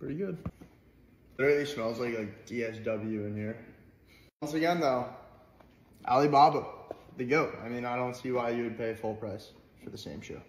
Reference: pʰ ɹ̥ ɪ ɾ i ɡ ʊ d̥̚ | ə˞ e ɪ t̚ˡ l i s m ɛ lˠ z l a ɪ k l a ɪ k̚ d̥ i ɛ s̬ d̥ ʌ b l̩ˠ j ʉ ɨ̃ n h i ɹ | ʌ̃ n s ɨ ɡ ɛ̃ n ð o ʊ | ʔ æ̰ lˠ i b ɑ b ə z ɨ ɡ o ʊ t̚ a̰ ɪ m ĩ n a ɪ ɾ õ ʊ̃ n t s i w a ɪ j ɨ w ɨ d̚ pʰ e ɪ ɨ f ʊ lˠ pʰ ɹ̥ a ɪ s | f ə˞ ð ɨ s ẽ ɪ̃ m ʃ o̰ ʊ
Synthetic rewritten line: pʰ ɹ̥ ɪ ɾ i ɡ ʊ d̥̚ | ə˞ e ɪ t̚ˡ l i s m ɛ lˠ z l a ɪ k l a ɪ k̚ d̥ i ɛ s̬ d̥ ʌ b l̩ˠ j ʉ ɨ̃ n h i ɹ | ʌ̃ n s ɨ ɡ ɛ̃ n ð o ʊ | ʔ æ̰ lˠ i b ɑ b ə ð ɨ ɡ o ʊ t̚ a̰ ɪ m ĩ n a ɪ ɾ õ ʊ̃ n t s i w a ɪ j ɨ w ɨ d̚ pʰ e ɪ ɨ f ʊ lˠ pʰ ɹ̥ a ɪ s | f ə˞ ð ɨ s ẽ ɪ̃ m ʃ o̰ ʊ